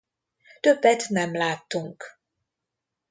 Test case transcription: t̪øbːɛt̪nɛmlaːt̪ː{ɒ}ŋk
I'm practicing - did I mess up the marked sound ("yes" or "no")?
yes